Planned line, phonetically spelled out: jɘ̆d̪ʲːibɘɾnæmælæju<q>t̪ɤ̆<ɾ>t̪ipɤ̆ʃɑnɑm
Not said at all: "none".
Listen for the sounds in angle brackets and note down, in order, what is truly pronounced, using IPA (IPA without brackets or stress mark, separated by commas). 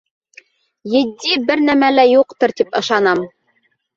q, ɾ